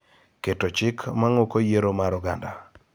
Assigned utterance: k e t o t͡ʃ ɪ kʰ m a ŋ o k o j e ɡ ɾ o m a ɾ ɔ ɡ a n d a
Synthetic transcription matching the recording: k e t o t͡ʃ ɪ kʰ m a ŋ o k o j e ɾ o m a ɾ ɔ ɡ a n d a